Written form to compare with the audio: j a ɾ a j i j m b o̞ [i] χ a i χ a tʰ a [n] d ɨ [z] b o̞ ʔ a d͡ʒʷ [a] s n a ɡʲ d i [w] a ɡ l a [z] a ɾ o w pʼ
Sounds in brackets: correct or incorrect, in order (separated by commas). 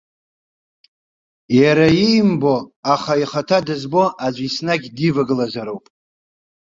incorrect, incorrect, correct, incorrect, incorrect, correct